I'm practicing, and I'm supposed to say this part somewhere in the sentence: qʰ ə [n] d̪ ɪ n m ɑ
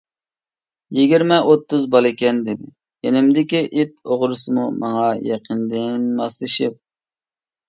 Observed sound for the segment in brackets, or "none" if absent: n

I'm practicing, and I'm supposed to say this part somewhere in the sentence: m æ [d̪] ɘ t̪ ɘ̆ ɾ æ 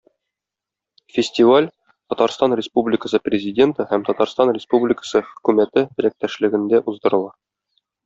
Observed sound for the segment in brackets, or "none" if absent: t̪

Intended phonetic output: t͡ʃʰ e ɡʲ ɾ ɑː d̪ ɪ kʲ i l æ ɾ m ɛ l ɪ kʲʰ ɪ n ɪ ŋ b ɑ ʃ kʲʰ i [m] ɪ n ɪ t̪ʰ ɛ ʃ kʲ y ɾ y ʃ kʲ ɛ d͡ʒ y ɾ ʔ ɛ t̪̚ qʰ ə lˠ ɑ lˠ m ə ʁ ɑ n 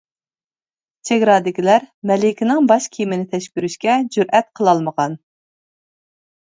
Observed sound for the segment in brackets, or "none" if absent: m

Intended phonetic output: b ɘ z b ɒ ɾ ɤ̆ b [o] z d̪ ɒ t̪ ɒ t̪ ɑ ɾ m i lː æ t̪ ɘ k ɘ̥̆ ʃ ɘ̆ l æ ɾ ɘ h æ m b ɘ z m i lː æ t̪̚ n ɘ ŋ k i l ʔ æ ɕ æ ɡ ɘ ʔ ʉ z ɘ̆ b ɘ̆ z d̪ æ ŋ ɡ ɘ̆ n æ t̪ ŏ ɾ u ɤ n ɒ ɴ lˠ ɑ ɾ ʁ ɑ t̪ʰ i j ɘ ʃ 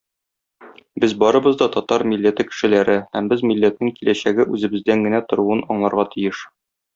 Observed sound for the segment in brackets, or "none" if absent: ɤ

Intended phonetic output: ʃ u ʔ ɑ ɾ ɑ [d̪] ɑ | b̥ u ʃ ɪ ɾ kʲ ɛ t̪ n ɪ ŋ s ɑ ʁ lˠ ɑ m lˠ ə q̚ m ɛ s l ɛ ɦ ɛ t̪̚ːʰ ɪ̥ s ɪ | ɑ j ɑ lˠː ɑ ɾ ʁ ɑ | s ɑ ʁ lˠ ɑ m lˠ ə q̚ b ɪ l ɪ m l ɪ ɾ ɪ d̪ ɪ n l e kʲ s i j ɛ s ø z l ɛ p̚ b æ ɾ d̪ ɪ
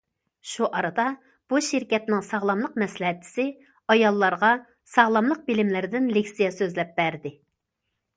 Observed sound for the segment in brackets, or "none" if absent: d̪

